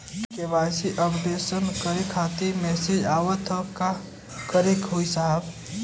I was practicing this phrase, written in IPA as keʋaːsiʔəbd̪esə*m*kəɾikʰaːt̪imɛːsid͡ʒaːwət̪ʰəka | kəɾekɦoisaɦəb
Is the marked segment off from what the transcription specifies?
yes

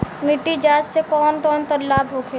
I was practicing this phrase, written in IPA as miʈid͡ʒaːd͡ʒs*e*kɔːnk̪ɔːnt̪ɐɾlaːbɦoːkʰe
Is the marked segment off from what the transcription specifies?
no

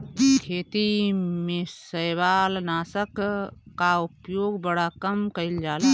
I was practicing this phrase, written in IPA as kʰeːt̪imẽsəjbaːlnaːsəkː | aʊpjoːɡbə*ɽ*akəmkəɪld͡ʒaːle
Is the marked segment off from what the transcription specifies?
no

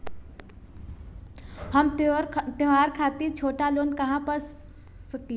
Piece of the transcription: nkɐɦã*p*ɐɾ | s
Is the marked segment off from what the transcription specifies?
no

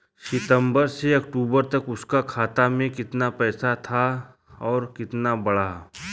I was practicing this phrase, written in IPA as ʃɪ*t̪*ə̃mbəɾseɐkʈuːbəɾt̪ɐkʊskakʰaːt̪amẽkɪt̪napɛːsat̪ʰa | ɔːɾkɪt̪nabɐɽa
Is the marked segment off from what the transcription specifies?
no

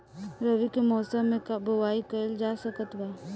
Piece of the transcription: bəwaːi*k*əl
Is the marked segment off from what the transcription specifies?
no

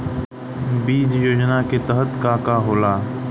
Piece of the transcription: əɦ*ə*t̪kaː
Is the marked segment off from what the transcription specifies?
no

